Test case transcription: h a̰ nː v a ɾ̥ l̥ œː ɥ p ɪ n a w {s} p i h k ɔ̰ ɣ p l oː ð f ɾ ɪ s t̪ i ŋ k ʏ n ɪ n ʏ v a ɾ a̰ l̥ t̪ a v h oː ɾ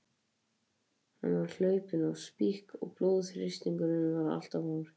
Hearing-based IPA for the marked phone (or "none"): s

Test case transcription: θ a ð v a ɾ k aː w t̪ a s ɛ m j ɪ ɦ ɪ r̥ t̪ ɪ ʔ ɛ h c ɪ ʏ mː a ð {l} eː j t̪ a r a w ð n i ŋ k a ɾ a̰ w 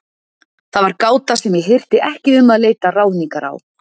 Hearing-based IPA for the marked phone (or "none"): l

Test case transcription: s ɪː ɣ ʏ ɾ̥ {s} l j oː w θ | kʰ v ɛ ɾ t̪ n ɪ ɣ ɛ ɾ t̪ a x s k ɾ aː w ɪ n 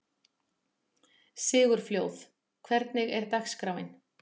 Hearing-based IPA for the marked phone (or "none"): f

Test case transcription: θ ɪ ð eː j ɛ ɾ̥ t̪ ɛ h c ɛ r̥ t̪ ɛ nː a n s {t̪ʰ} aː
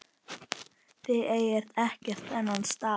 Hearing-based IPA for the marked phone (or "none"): t̪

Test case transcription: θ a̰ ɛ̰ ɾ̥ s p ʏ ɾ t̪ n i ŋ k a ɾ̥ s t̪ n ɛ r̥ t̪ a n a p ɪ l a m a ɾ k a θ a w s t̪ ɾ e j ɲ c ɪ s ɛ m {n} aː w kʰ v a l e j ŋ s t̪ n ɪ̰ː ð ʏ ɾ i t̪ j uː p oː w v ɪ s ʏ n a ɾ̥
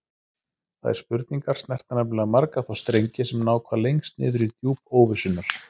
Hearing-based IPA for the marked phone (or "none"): n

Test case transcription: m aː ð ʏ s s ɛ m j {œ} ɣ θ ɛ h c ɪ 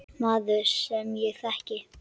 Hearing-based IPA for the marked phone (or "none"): ɛ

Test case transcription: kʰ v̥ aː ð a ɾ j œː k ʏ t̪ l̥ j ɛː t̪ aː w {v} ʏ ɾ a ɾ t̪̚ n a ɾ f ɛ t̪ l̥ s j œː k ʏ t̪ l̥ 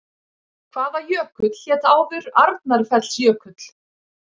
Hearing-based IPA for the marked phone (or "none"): v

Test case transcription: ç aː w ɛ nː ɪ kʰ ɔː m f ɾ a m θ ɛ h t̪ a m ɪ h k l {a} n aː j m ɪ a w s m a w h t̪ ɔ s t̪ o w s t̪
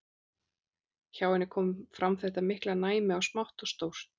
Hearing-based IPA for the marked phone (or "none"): a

